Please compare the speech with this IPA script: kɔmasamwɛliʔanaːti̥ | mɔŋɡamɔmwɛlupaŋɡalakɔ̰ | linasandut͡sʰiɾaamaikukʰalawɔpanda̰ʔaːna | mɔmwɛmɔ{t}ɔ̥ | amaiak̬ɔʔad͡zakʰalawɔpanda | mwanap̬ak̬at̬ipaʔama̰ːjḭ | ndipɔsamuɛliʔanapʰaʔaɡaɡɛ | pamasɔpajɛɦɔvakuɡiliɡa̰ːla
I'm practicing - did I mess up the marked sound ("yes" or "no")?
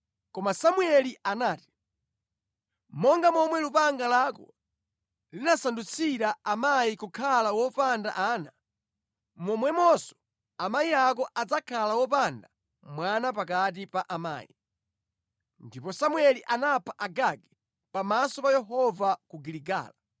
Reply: yes